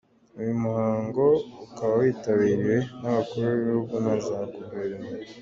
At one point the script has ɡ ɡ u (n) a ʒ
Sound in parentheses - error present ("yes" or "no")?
no